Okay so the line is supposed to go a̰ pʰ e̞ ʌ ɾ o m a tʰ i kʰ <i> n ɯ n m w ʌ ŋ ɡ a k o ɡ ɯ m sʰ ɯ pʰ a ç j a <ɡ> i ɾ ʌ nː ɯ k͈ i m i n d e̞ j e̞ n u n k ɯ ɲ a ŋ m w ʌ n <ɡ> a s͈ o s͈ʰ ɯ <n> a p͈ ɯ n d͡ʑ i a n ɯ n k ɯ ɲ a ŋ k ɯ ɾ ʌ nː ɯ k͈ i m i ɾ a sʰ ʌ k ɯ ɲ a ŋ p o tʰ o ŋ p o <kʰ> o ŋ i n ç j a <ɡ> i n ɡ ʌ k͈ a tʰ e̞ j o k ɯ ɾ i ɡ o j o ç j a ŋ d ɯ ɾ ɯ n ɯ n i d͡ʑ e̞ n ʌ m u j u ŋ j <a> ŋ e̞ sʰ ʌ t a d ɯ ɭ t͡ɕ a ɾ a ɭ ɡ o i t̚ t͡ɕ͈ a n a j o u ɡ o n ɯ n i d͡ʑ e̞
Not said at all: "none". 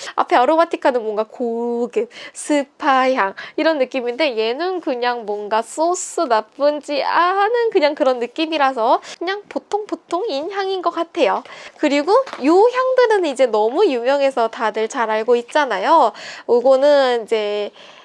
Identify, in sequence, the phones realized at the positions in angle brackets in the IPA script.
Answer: a, ŋ, ɡ, n, tʰ, ŋ, ʌ

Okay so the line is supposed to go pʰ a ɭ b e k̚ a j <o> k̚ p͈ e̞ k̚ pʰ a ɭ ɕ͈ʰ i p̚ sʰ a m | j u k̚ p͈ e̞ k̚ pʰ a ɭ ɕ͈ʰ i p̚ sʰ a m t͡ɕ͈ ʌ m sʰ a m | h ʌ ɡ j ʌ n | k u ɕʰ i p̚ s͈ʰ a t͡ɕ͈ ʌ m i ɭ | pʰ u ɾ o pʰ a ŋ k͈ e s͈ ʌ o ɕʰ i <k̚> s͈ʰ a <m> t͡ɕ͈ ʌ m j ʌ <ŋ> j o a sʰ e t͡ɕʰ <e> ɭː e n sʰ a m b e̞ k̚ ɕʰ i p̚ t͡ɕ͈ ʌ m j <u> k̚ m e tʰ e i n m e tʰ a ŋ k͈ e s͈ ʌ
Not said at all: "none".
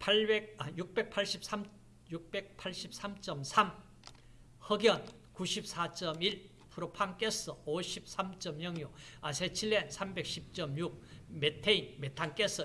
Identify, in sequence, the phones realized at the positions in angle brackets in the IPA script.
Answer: u, p̚, m, ŋ, i, u

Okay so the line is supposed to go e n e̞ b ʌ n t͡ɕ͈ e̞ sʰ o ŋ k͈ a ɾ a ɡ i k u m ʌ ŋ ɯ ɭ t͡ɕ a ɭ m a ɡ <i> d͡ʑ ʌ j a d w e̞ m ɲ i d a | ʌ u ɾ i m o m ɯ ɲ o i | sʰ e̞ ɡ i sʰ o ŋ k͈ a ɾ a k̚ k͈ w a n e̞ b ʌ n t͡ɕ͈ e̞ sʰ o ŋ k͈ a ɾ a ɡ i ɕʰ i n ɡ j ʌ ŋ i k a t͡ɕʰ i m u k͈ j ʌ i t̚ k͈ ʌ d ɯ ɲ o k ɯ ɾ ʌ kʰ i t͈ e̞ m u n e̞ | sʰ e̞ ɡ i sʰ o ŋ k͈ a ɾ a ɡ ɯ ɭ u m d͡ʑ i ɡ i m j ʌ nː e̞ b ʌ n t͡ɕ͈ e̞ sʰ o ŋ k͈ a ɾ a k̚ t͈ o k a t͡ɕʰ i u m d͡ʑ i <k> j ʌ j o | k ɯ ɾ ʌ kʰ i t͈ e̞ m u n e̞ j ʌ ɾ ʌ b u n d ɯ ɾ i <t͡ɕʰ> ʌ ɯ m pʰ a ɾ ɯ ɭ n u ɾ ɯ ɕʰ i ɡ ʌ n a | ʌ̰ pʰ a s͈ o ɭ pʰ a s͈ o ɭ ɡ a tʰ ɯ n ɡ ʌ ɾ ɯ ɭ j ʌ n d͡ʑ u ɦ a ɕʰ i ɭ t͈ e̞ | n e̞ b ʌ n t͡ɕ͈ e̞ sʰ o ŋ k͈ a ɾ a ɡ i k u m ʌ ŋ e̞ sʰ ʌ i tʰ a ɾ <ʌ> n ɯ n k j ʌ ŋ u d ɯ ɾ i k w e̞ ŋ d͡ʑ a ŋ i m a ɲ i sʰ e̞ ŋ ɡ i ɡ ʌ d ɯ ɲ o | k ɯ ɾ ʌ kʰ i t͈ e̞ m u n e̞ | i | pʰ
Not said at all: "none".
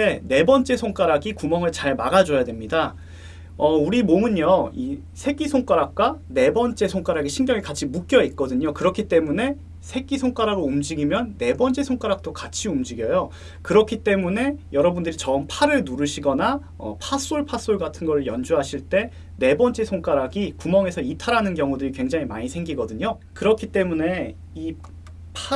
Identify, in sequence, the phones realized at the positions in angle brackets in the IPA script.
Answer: a, ɡ, t͡ɕ, a

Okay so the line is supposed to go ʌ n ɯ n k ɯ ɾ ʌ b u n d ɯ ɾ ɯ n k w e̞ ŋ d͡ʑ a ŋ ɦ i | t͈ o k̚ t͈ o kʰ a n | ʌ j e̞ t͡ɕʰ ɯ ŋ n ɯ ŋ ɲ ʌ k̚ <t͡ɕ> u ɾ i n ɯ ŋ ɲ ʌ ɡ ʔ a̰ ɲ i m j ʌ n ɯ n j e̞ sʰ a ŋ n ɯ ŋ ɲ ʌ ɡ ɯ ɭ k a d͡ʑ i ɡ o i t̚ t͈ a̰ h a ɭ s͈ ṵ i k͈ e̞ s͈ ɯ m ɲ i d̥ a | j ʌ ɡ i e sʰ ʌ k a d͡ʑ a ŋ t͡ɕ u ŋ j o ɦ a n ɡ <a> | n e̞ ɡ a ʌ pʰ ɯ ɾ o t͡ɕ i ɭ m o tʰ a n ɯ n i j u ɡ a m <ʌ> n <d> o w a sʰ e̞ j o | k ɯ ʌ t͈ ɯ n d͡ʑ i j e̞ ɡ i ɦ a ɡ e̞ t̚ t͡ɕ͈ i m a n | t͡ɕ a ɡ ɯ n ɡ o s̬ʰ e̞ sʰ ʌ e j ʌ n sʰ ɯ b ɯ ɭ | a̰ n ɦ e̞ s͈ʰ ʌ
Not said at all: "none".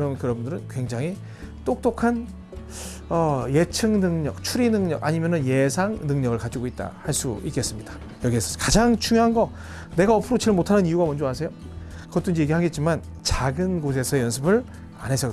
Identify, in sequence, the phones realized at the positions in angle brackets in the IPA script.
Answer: t͡ɕʰ, ʌ, ʌ, d͡ʑ

